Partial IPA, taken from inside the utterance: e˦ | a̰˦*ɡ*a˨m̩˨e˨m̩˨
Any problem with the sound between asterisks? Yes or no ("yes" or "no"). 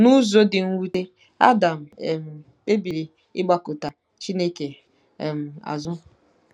yes